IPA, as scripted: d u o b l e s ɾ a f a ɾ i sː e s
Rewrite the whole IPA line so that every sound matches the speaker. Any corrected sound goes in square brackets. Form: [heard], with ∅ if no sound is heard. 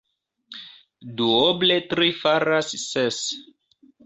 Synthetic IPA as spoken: d u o b l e [t] ɾ [i] f a ɾ [a] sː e s